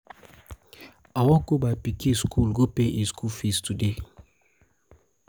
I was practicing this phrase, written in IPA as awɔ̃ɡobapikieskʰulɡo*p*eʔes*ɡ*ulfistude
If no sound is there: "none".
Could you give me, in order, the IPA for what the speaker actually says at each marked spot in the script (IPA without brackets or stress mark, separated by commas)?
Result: p, k